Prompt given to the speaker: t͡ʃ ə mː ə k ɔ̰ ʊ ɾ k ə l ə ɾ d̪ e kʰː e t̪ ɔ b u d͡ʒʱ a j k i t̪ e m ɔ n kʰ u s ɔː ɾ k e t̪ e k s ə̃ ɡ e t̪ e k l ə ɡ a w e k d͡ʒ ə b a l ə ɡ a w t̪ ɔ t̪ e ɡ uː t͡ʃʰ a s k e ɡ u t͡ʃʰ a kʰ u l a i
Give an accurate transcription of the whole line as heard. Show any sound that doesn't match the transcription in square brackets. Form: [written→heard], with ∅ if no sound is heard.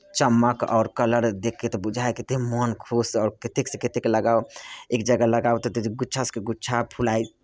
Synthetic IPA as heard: t͡ʃ ə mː ə k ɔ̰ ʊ ɾ k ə l ə ɾ d̪ e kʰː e t̪ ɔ b u d͡ʒʱ a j k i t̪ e m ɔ n kʰ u s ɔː ɾ k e t̪ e k s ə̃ [ɡ→k] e t̪ e k l ə ɡ a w e k d͡ʒ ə [b→ɡ] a l ə ɡ a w t̪ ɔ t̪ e ɡ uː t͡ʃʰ a s k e ɡ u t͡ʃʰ a [kʰ→pʰ] u l a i